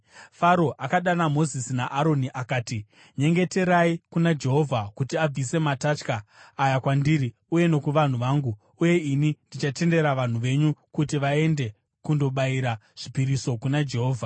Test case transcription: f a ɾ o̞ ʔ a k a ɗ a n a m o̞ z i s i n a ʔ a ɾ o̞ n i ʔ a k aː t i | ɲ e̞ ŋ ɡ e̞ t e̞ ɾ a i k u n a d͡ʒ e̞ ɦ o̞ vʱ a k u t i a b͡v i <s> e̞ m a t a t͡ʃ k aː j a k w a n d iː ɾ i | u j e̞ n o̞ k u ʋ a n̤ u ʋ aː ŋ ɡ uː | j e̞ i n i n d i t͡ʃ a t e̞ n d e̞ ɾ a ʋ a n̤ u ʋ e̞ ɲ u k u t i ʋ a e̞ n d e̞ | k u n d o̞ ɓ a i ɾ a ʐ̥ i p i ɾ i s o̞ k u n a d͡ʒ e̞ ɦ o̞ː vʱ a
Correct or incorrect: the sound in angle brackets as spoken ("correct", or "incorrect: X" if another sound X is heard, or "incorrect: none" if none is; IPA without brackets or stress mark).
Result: correct